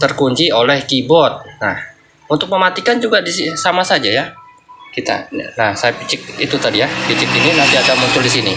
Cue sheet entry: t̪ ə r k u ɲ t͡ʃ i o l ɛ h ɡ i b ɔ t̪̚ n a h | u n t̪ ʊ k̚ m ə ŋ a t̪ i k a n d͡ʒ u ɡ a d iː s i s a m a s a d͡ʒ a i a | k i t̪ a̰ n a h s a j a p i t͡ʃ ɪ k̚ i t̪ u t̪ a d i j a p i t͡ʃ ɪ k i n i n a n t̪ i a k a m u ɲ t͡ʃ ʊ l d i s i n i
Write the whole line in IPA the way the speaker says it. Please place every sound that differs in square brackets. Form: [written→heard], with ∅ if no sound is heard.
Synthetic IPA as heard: t̪ ə r k u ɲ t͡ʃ i o l ɛ h [ɡ→k] i b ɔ t̪̚ n a h | u n t̪ ʊ k̚ m ə [ŋ→m] a t̪ i k a n d͡ʒ u ɡ a d [iː→i] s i s a m a s a d͡ʒ a [i→j] a | k i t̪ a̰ n a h s a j a p i t͡ʃ ɪ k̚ i t̪ u t̪ a d i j a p i t͡ʃ ɪ k i n i n a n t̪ i a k a m u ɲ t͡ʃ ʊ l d i s i n i

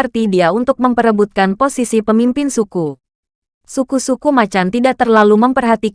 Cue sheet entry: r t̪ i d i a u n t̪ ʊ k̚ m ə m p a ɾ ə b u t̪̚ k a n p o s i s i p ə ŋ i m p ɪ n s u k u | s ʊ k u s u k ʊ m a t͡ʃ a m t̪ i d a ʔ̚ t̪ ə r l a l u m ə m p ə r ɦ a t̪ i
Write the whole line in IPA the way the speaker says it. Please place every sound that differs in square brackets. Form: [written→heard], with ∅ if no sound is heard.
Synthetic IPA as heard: r t̪ i d i a u n t̪ ʊ k̚ m ə m p [a→ə] ɾ ə b u t̪̚ k a n p o s i s i p ə [ŋ→m] i m p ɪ n s u k u | s [ʊ→u] k u s u k [ʊ→u] m a t͡ʃ a m t̪ i d a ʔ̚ t̪ ə r l a l u m ə m p ə r ɦ a t̪ i

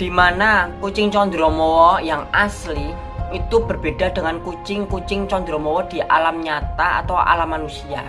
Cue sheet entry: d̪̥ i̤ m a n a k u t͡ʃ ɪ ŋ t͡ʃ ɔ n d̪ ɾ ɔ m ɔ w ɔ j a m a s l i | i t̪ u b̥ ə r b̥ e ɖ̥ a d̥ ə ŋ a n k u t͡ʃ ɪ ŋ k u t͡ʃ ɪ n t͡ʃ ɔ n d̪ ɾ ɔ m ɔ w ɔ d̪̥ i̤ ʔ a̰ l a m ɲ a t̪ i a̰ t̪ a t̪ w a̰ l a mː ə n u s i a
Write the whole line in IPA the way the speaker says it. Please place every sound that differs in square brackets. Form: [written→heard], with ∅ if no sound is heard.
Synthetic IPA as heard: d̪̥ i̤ m a n a k u t͡ʃ ɪ ŋ t͡ʃ ɔ n d̪ ɾ ɔ m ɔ w ɔ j a [m→ŋ] a s l i | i t̪ u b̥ ə r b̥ e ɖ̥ a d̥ ə ŋ a n k u t͡ʃ ɪ ŋ k u t͡ʃ ɪ [n→ŋ] t͡ʃ ɔ n d̪ ɾ ɔ m ɔ w ɔ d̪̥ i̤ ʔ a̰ l a m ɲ a t̪ [i→a] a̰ t̪ a [t̪→∅] w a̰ l a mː [ə→a] n u s i a

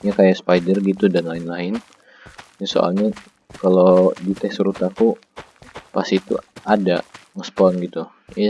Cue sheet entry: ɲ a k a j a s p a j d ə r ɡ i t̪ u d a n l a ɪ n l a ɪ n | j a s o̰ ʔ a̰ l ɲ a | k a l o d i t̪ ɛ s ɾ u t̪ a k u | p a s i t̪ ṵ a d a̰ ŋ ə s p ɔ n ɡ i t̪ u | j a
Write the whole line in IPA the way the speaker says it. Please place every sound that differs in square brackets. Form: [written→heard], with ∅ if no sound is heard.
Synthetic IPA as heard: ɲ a k a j a s p a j d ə r ɡ i t̪ u d a n l a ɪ n l a ɪ n | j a s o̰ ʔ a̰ l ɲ a | k a l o d i t̪ ɛ s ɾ u t̪ a k u | p a s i t̪ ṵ a d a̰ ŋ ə s p ɔ n ɡ i t̪ u | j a

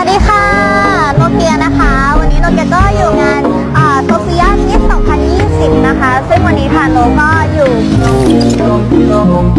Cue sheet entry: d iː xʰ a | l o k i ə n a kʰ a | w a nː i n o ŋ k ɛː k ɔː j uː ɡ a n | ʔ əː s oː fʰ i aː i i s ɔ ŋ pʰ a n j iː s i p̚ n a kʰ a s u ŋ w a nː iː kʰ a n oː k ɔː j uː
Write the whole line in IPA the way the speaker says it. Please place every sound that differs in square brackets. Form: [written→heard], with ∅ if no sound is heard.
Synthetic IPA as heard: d iː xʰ a | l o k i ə n a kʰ a | w a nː [i→iː] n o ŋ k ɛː k ɔː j uː [ɡ→ŋ] a n | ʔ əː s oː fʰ i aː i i s ɔ ŋ pʰ a n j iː s i p̚ n a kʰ a s [u→ɯ] ŋ w a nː iː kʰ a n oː k ɔː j uː

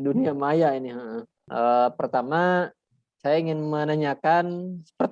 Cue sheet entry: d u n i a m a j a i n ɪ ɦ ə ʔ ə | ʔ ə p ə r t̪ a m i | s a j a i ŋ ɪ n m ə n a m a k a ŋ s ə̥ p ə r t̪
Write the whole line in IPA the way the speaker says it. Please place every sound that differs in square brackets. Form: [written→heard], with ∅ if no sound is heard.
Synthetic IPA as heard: d u n i a m a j a i n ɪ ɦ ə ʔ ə | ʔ ə p ə r t̪ a m [i→a] | s a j a i ŋ ɪ n m ə n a [m→ɲ] a k a [ŋ→n] s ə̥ p ə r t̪

